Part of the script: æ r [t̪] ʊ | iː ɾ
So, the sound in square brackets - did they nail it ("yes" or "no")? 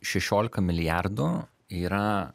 no